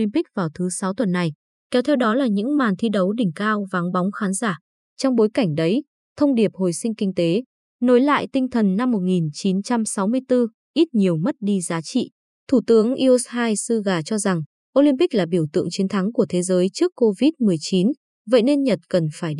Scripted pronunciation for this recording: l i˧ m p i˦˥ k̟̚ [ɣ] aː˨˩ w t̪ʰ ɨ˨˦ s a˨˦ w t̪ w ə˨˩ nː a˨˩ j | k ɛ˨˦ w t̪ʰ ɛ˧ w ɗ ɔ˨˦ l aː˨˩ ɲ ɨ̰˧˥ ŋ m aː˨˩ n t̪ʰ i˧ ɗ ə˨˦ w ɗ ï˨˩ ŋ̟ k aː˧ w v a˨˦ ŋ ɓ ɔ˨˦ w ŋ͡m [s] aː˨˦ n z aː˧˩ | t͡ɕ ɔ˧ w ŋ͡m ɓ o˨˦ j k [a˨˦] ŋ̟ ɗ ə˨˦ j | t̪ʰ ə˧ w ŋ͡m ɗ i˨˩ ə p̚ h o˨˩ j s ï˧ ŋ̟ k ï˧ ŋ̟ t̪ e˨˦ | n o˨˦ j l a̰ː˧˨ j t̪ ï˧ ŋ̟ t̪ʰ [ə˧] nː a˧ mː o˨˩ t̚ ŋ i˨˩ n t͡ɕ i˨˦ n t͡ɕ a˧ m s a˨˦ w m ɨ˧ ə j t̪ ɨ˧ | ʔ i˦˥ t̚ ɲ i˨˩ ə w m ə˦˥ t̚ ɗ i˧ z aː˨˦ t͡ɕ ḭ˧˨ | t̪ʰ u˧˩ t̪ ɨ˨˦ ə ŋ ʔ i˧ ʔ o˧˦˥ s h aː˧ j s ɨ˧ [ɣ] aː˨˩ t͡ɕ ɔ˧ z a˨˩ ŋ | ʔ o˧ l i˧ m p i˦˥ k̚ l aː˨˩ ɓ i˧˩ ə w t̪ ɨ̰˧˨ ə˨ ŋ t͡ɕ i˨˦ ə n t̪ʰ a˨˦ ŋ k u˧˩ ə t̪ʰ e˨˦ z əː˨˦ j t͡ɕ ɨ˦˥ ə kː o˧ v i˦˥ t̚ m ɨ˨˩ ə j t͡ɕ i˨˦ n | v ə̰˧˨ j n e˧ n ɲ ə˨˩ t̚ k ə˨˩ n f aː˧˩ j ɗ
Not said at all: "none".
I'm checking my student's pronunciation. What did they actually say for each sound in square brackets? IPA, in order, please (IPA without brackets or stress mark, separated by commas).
v, x, a˧˩, ə˨˩, ɣ